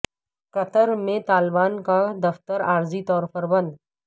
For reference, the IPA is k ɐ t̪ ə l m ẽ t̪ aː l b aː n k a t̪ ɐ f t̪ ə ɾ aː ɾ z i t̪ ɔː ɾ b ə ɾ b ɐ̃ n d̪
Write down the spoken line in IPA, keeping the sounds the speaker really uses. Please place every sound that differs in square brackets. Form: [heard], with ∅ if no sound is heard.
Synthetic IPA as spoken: k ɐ t̪ ə [ɾ] m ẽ t̪ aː l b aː n k a [d̪] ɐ f t̪ ə ɾ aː ɾ z i t̪ ɔː ɾ [p] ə ɾ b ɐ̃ n d̪

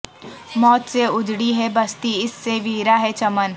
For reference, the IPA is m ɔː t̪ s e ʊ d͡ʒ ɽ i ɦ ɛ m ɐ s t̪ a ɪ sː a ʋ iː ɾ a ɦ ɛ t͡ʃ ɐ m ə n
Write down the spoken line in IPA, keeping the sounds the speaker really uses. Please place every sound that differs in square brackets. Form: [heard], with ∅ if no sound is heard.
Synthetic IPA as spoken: m ɔː t̪ s e ʊ d͡ʒ ɽ i ɦ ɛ [b] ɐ s t̪ [i] ɪ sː [e] ʋ iː ɾ a ɦ ɛ t͡ʃ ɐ m ə n

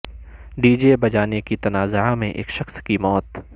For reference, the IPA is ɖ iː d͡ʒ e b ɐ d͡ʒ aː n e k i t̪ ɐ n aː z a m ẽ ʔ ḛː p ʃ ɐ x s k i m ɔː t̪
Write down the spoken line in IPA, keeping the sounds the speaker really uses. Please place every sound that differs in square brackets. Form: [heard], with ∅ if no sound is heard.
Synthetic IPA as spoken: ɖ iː d͡ʒ e b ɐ d͡ʒ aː n e k i t̪ ɐ n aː z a m ẽ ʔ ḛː [k] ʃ ɐ x s k i m ɔː t̪

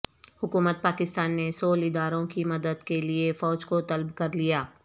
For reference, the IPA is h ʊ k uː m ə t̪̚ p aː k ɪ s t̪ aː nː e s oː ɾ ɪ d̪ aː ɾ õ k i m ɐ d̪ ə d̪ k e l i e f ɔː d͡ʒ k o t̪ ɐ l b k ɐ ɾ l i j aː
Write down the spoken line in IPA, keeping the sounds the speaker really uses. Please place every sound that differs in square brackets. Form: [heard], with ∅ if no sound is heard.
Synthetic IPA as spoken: h ʊ k uː m ə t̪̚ p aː k ɪ s t̪ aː nː e s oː [l] ɪ d̪ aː ɾ õ k i m ɐ d̪ ə d̪ k e l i e f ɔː d͡ʒ k o t̪ ɐ l b k ɐ ɾ l i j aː

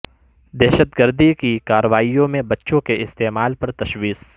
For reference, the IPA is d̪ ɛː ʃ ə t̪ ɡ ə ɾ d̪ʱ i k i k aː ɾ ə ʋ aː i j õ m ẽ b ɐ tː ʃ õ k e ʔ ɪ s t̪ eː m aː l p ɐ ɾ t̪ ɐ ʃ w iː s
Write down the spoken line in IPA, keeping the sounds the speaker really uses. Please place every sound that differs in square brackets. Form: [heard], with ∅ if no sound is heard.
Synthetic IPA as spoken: d̪ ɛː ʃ ə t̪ ɡ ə ɾ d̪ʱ i k i k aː ɾ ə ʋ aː i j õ m ẽ b ɐ tː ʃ õ k e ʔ ɪ s t̪ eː m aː l p ɐ ɾ t̪ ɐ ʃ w iː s

